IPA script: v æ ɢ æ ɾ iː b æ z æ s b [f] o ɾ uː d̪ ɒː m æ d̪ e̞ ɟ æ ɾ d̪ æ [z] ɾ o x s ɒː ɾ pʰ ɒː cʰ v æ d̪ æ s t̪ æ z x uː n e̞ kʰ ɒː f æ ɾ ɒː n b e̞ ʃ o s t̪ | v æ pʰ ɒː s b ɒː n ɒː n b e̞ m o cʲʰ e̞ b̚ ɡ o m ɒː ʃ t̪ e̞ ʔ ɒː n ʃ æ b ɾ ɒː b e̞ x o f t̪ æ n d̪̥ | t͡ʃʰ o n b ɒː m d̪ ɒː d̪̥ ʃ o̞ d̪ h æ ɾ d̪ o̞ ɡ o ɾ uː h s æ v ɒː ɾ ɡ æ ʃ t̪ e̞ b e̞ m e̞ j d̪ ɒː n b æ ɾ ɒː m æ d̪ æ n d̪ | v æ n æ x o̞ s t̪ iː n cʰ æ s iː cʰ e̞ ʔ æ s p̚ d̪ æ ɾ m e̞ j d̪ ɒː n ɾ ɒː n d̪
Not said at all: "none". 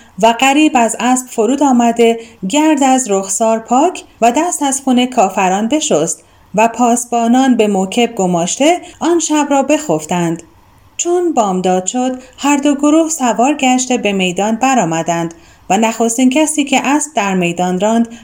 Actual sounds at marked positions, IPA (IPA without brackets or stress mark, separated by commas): f, z